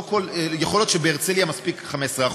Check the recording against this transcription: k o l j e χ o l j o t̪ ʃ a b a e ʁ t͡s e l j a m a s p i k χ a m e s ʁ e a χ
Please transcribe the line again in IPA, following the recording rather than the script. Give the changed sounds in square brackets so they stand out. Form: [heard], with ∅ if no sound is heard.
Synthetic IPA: k o l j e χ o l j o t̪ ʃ [e] b [e] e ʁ t͡s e l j a m a s p i k χ a m e s ʁ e a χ